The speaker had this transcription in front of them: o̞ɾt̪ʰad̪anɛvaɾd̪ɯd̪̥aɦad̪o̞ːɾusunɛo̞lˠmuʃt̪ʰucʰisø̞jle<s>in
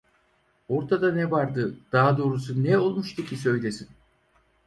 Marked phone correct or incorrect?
correct